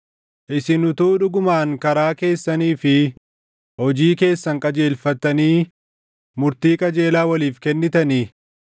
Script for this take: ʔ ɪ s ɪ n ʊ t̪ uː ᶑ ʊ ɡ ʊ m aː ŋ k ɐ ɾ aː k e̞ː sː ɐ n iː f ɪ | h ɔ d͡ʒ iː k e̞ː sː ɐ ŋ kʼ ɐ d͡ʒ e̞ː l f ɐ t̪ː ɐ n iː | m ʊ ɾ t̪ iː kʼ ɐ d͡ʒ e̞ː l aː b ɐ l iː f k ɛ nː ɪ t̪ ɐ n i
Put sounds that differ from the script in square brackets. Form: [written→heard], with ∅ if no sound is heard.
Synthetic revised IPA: ʔ ɪ s ɪ n ʊ t̪ uː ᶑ ʊ ɡ ʊ m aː ŋ k ɐ ɾ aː k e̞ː sː ɐ n iː f ɪ | h ɔ d͡ʒ iː k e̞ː sː ɐ ŋ kʼ ɐ d͡ʒ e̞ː l f ɐ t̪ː ɐ n iː | m ʊ ɾ t̪ iː kʼ ɐ d͡ʒ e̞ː l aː [b→w] ɐ l iː f k ɛ nː ɪ t̪ ɐ n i